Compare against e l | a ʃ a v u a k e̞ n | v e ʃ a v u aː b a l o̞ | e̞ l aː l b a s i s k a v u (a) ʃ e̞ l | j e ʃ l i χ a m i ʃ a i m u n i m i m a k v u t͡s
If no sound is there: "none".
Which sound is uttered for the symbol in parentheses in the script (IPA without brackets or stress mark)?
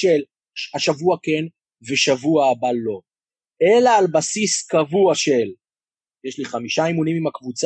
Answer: a